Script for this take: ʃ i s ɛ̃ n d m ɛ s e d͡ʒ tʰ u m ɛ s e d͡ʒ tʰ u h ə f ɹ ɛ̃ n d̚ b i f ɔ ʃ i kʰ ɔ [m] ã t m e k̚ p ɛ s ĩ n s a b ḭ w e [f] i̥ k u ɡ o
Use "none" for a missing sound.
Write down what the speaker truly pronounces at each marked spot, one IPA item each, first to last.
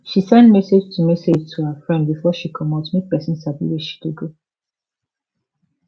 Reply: m, ʃ

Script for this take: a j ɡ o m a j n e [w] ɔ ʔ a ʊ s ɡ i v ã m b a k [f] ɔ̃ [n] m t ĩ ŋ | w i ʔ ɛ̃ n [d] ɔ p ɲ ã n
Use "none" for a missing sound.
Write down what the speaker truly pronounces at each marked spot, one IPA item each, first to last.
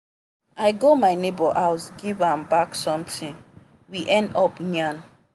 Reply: b, s, none, d

